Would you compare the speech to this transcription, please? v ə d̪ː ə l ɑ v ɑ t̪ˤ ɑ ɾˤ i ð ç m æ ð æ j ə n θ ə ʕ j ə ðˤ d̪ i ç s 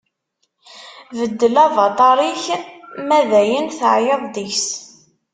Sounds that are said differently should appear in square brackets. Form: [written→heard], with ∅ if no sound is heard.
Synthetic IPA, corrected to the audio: v ə d̪ː ə l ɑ v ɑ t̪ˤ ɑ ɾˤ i [ð→∅] ç m æ ð æ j ə n θ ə ʕ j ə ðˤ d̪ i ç s